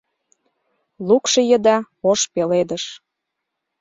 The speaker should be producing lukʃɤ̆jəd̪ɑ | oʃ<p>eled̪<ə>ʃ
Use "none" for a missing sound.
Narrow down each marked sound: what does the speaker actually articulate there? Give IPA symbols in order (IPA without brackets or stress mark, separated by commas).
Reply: p, ə